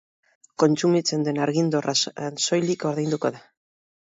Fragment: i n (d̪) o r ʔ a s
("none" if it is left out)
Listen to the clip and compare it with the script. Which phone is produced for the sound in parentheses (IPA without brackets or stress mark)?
d̪